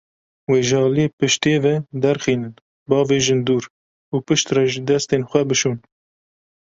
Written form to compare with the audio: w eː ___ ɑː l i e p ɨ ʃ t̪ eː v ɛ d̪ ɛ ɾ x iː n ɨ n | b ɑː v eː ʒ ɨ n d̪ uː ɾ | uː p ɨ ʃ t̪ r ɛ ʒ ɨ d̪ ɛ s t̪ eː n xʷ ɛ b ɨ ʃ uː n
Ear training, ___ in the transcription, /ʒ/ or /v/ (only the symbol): ʒ